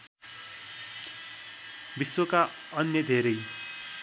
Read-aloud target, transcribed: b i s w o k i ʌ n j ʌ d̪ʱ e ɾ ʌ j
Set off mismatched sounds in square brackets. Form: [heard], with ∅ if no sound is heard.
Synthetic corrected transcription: b i s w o k [a] ʌ n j ʌ d̪ʱ e ɾ ʌ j